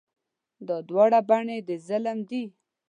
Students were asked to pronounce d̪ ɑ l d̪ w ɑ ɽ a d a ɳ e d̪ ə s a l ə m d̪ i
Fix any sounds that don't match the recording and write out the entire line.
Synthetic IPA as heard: d̪ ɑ d̪ w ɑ ɽ a b a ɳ e d̪ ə z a l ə m d̪ i